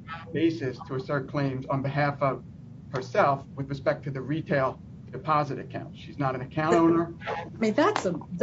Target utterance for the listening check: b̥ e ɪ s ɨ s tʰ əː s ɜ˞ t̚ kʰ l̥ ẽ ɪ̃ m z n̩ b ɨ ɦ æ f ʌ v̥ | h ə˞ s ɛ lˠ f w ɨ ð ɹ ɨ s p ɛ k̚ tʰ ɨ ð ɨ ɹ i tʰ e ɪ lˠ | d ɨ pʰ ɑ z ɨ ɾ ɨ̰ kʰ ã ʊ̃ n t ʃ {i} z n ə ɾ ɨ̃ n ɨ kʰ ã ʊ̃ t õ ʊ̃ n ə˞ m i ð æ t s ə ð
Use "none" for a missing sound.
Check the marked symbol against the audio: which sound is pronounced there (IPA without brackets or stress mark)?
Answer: i